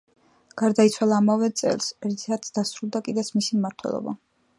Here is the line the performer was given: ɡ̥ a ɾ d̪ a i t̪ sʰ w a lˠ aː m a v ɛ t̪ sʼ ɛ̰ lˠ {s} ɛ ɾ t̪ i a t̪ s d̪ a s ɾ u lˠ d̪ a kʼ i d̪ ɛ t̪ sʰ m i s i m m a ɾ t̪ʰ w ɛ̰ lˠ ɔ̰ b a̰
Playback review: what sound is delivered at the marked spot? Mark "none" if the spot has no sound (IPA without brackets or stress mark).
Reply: s